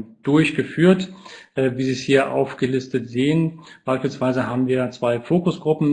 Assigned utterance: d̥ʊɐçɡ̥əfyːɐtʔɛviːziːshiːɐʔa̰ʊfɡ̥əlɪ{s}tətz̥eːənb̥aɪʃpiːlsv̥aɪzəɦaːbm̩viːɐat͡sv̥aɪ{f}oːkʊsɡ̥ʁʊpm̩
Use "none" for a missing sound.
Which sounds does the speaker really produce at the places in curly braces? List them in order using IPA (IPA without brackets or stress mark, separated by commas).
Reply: s, f